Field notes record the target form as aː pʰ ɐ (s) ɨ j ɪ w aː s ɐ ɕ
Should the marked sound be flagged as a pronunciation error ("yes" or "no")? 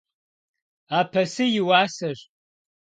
no